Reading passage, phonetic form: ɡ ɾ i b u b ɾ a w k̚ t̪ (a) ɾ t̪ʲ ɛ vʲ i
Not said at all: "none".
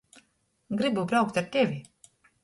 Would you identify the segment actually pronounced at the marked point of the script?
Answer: a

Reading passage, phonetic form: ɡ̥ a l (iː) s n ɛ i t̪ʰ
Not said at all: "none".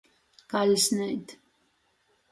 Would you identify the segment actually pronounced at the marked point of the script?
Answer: i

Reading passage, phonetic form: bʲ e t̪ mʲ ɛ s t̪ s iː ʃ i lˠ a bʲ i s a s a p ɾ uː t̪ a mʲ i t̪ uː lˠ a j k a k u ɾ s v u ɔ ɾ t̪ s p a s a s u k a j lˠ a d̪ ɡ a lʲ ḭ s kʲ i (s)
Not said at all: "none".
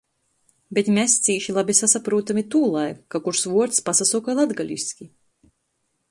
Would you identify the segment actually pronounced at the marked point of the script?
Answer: none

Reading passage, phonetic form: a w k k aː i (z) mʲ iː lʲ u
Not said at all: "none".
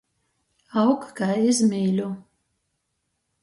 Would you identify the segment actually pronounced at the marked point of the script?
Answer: z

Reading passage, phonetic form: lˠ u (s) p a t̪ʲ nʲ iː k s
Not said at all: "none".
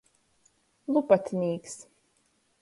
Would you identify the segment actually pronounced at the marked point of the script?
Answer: none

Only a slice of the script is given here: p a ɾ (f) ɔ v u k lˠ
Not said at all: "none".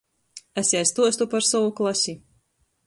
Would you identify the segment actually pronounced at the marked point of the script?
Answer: s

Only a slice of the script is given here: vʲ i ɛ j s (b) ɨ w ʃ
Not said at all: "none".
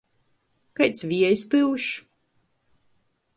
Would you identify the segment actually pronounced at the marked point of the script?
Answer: p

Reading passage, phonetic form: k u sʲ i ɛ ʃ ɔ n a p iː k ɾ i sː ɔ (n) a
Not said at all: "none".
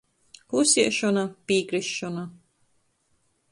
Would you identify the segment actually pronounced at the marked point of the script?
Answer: n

